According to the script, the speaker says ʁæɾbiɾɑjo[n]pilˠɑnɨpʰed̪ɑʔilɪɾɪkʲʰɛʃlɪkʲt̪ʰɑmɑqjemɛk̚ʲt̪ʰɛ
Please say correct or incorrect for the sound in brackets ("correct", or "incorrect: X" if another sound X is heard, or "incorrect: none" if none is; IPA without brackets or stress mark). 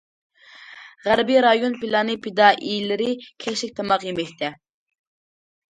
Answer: correct